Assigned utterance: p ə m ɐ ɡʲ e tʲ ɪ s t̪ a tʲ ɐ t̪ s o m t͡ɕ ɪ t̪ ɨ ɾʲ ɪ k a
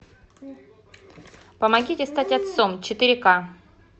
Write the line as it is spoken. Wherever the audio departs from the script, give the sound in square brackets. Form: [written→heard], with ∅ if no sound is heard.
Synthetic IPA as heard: p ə m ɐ ɡʲ [e→i] tʲ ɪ s t̪ a tʲ ɐ t̪ s o m t͡ɕ ɪ t̪ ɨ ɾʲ ɪ k a